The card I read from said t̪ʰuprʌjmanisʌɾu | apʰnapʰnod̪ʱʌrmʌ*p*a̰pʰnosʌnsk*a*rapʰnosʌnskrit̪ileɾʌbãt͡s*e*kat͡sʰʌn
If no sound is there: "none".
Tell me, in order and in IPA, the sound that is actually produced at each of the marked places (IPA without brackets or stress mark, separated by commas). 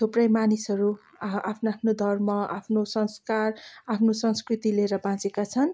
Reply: none, a, e